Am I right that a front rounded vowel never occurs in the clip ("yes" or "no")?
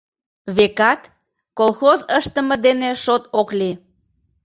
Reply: yes